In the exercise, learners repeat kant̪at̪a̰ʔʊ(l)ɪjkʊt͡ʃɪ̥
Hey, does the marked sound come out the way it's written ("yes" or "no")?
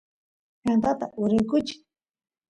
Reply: no